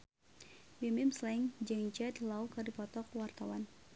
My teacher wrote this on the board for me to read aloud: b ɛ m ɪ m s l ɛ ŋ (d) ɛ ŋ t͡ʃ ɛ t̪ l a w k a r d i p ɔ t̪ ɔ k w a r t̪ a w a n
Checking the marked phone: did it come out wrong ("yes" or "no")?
yes